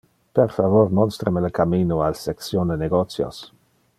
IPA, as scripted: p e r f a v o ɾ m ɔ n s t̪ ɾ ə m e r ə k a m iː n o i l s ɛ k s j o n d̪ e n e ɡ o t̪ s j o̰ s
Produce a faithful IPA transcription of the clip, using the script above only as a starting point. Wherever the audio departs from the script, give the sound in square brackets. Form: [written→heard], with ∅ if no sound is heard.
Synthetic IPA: p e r f a v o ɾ m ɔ n s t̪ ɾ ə m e [r→l] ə k a m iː n o [i→a] l s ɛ k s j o n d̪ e n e ɡ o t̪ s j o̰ s